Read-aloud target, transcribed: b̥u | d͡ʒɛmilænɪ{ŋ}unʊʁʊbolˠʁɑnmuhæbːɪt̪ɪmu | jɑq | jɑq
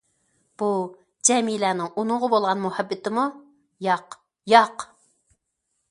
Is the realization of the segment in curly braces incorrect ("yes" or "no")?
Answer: no